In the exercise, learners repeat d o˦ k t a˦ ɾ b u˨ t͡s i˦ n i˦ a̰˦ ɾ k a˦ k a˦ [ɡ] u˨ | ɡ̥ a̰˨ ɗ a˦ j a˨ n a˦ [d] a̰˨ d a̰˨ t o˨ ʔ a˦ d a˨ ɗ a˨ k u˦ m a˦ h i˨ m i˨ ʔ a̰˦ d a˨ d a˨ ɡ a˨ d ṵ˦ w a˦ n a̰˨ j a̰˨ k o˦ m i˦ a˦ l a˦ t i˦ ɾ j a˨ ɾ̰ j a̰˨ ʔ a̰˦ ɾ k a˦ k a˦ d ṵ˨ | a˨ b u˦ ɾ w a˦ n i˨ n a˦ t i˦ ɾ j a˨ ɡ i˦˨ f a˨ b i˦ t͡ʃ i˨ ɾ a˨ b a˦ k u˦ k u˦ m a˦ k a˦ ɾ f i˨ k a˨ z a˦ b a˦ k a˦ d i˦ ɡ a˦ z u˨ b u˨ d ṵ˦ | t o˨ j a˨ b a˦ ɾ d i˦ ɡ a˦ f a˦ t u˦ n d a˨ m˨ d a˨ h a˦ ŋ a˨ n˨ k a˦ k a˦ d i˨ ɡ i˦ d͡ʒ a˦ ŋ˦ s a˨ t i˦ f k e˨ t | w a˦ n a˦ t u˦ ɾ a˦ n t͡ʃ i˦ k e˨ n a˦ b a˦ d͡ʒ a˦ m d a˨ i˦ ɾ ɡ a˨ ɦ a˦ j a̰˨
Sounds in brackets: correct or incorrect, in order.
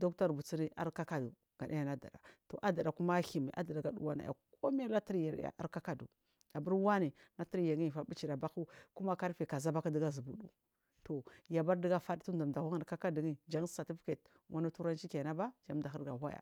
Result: incorrect: d, correct

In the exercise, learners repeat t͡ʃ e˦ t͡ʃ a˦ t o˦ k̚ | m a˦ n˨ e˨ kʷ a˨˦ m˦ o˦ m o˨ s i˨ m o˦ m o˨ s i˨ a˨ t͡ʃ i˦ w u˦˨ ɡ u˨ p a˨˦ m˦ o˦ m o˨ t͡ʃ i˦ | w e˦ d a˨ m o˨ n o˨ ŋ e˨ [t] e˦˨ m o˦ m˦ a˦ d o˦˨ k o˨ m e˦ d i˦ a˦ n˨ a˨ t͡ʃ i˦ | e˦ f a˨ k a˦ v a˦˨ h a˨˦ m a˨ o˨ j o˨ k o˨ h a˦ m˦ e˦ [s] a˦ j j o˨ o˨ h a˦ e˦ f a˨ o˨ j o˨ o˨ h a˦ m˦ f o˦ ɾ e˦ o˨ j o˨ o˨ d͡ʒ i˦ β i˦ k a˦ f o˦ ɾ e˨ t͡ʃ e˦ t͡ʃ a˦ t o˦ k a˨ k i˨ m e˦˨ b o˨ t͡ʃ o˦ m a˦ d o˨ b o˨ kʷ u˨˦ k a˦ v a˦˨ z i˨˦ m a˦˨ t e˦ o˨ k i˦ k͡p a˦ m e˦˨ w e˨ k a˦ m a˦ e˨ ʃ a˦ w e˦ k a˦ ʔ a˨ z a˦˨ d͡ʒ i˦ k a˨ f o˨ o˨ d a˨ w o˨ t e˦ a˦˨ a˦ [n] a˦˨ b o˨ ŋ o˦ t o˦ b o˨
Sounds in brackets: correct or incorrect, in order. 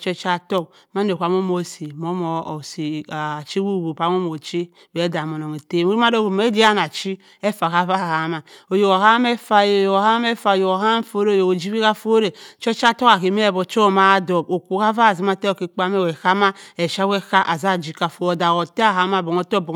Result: correct, incorrect: f, incorrect: m

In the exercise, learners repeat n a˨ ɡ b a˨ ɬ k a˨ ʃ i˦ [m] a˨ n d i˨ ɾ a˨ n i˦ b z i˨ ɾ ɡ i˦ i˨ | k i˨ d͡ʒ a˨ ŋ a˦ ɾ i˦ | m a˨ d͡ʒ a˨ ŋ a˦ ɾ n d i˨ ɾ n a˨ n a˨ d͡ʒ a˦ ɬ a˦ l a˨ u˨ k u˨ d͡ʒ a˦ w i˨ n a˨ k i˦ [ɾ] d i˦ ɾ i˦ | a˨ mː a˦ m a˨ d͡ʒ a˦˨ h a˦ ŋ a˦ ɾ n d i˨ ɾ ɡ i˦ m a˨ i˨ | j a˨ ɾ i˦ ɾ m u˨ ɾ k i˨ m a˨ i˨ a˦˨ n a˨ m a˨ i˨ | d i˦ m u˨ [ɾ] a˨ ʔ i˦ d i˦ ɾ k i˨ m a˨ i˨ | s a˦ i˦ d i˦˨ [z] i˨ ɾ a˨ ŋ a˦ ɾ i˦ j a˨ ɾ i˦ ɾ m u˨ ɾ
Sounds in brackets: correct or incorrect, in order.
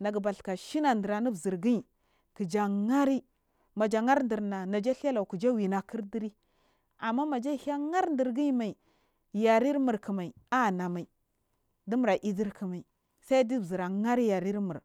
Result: incorrect: n, correct, correct, correct

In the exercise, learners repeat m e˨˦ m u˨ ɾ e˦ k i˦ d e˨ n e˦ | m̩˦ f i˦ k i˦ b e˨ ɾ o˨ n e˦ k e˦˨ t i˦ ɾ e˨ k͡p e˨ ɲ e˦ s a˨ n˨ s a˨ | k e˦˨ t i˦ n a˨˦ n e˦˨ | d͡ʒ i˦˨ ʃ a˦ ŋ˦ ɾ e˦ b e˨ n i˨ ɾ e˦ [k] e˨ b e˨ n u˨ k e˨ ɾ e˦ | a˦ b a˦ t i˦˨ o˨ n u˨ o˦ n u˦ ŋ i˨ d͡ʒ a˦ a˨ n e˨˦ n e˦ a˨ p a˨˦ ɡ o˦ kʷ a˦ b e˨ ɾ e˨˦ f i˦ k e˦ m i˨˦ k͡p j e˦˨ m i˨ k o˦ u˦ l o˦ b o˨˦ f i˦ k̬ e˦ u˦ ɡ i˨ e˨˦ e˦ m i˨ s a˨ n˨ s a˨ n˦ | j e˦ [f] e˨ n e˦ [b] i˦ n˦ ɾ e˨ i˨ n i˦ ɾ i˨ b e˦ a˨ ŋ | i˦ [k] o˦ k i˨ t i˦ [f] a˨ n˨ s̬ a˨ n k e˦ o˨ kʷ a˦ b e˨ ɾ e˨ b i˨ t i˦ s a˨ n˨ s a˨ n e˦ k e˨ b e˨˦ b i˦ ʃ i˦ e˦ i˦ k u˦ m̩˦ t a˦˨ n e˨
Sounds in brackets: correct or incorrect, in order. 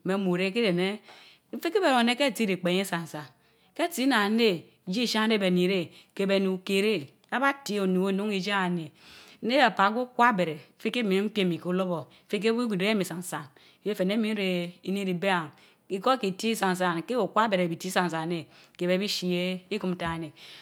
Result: correct, correct, incorrect: m, correct, incorrect: s

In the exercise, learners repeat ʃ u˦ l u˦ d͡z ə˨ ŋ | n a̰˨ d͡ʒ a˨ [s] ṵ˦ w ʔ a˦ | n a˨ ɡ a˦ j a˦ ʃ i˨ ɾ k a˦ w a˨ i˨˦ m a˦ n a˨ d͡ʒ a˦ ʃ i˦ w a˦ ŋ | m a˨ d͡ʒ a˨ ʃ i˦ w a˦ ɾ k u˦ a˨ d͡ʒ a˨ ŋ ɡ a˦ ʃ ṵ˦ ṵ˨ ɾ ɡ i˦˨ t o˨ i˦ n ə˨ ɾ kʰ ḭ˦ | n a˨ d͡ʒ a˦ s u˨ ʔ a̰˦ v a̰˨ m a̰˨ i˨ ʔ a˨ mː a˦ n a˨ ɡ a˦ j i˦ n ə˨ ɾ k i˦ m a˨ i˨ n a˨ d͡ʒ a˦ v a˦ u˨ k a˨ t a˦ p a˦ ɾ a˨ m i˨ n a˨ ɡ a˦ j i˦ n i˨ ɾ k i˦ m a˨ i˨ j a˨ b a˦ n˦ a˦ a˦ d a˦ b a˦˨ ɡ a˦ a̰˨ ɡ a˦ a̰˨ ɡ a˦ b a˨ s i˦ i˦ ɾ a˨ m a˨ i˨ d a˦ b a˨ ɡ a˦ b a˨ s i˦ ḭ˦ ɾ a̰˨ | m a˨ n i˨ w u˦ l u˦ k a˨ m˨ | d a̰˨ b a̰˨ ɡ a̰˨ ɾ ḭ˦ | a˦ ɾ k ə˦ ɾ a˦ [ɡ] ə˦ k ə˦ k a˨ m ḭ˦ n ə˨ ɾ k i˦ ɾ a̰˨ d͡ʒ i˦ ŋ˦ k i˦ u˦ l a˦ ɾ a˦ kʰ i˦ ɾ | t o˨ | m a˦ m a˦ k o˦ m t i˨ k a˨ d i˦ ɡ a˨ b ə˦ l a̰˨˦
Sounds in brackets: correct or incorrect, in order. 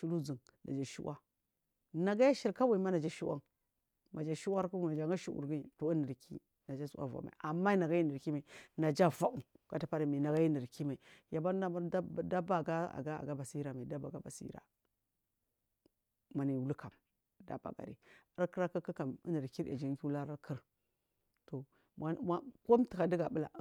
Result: incorrect: ʃ, incorrect: k

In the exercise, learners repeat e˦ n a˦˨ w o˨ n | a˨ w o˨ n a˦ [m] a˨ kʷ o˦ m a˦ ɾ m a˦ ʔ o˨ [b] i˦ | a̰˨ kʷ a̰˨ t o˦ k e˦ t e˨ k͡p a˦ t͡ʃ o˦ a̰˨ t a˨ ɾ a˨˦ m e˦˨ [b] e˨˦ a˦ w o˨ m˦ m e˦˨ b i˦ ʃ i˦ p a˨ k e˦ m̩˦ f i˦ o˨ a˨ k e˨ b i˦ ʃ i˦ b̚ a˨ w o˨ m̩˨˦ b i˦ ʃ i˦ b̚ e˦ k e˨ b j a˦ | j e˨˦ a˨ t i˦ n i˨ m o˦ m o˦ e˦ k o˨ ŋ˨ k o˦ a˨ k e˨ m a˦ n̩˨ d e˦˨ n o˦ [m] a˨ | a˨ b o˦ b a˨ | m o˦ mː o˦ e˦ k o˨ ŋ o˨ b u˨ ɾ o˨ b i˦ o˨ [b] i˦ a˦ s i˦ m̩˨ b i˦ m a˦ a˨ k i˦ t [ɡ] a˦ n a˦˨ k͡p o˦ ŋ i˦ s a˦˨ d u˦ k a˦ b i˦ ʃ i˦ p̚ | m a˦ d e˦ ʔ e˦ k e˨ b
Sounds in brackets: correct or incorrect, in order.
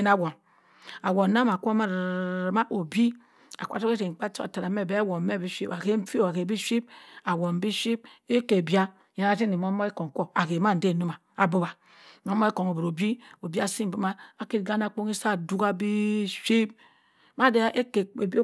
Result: correct, correct, correct, correct, correct, correct

